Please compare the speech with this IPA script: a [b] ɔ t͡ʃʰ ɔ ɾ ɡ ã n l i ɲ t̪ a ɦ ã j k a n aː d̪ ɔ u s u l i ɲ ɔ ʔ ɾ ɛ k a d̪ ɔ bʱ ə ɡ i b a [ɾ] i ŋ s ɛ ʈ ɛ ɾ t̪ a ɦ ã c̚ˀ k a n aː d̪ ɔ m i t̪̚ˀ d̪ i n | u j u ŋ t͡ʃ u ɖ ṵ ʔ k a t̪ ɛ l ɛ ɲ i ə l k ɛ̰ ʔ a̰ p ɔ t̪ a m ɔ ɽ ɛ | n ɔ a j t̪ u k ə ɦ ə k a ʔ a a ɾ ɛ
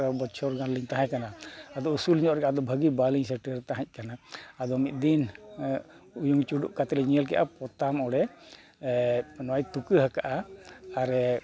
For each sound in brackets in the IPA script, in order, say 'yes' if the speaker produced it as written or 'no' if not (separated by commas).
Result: yes, no